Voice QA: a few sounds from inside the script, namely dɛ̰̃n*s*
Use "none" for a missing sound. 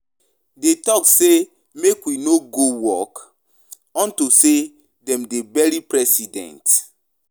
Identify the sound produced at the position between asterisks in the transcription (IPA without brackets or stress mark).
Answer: t